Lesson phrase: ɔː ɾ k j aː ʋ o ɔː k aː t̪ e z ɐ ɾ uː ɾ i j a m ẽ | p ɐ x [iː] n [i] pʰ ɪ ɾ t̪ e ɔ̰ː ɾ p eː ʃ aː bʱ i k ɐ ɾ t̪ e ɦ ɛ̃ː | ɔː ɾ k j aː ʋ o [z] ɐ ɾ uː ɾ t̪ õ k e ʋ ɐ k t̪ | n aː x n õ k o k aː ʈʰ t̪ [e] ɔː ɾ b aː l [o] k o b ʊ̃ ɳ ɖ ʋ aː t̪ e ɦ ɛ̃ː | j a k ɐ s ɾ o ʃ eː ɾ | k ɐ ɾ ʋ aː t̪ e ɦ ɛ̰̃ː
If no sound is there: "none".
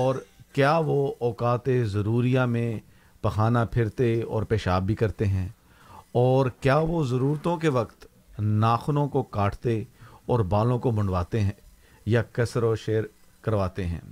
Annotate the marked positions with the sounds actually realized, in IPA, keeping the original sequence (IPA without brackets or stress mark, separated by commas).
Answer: aː, a, z, e, õ